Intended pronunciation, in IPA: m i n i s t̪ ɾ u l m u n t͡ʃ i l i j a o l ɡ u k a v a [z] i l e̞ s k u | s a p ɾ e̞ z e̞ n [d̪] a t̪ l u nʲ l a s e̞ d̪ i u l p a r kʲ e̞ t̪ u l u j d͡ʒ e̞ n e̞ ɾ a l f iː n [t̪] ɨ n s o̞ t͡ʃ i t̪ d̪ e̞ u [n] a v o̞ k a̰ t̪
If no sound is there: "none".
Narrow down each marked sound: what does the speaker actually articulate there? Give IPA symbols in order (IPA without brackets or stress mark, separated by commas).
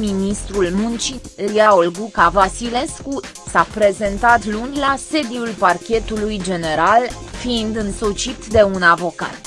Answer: s, t̪, d̪, n